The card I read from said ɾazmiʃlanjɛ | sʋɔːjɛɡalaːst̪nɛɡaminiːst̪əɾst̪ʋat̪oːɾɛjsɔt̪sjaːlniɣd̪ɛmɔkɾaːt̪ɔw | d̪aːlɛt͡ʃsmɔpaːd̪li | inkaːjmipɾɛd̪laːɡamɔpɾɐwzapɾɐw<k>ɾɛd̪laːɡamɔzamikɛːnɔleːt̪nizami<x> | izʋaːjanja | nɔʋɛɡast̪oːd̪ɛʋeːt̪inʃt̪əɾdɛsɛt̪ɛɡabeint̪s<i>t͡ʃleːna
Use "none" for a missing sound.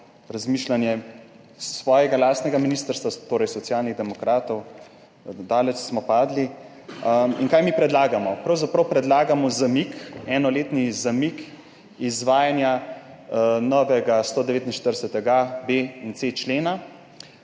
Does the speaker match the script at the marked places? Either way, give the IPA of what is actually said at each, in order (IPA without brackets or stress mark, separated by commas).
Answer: p, k, e